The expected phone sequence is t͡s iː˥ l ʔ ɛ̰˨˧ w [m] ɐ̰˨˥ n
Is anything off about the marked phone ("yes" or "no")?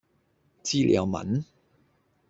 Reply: no